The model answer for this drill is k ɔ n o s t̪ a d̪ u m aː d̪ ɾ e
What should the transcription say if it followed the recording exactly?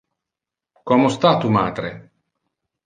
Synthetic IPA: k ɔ m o s t̪ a t̪ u m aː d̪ ɾ e